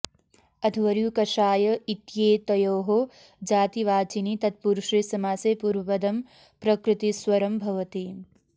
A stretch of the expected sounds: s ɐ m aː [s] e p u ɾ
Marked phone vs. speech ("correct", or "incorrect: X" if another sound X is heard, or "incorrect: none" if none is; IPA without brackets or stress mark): correct